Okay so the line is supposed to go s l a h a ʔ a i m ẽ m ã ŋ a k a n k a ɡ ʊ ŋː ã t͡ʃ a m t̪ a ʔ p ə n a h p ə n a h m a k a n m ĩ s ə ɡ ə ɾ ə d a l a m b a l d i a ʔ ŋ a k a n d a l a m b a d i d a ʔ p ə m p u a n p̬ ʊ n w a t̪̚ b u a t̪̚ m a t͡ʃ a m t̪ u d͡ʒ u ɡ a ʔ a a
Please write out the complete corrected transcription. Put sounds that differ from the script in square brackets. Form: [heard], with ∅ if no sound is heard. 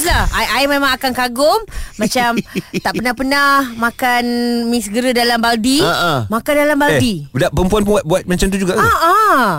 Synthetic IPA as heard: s l a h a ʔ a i m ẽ m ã ŋ a k a n k a ɡ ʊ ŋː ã t͡ʃ a m t̪ a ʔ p ə n a h p ə n a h m a k a n m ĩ s ə ɡ ə ɾ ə d a l a m b a l d i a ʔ [m] a k a n d a l a m b a d i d a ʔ p ə m p u a n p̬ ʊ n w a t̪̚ b u a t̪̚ m a t͡ʃ a m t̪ u d͡ʒ u ɡ a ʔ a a